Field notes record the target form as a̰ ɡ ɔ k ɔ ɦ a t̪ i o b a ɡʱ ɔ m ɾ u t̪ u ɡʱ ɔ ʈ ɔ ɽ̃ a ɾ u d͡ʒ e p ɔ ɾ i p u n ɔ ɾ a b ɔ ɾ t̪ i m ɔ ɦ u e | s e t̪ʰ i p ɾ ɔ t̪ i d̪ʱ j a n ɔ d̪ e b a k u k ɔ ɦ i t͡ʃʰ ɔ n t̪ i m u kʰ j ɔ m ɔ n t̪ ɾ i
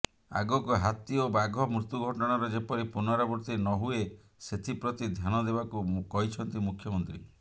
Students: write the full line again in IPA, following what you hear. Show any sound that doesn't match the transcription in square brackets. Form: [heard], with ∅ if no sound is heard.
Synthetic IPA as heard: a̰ ɡ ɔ k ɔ ɦ a t̪ i o b a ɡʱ ɔ m ɾ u t̪ u ɡʱ ɔ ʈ ɔ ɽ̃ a ɾ [ɔ] d͡ʒ e p ɔ ɾ i p u n ɔ ɾ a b ɔ ɾ t̪ i [n] ɔ ɦ u e | s e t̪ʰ i p ɾ ɔ t̪ i d̪ʱ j a n ɔ d̪ e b a k u k ɔ ɦ i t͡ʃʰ ɔ n t̪ i m u kʰ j ɔ m ɔ n t̪ ɾ i